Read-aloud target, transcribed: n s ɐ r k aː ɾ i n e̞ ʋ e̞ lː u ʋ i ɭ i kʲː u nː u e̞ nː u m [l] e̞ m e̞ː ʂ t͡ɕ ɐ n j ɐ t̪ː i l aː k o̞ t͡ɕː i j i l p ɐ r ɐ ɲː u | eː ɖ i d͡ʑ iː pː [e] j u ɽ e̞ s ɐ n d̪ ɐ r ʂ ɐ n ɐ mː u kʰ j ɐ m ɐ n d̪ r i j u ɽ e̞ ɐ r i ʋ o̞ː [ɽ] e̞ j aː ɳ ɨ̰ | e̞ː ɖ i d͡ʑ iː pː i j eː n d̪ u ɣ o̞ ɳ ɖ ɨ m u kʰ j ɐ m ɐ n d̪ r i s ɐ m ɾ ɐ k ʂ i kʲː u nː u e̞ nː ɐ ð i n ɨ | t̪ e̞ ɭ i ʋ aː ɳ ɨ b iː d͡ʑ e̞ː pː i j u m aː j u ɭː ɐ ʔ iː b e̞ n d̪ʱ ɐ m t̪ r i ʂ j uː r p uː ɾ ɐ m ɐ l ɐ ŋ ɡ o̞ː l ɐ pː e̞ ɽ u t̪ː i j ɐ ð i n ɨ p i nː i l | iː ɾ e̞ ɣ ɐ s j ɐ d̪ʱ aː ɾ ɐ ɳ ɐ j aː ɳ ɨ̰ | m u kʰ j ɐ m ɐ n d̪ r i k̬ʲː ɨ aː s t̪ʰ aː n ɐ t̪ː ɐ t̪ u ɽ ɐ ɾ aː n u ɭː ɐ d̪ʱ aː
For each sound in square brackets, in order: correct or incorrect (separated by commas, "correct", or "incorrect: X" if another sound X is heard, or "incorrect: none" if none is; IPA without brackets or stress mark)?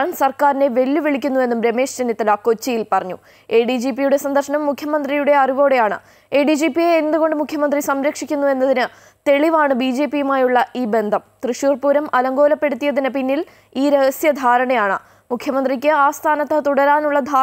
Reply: incorrect: ɾ, incorrect: i, correct